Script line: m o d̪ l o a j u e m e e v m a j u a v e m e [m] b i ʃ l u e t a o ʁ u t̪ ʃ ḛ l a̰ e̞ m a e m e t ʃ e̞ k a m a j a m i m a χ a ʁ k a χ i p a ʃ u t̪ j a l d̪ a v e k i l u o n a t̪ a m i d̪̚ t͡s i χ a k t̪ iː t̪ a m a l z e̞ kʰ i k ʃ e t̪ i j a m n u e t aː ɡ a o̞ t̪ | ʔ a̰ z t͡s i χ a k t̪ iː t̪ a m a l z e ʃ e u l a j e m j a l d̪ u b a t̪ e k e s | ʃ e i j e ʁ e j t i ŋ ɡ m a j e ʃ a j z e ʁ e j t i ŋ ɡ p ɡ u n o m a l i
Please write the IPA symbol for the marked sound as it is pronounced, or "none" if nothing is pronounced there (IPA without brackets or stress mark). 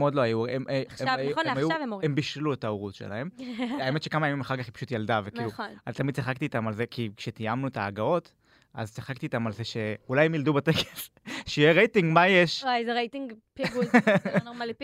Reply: m